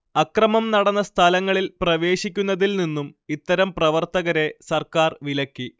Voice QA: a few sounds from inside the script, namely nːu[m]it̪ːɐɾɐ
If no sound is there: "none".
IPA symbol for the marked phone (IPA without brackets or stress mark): m